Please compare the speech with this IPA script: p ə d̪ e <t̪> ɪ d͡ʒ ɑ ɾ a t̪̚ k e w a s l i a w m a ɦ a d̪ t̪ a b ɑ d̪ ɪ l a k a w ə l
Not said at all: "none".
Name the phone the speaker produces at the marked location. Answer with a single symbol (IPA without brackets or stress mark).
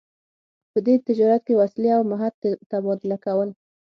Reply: t̪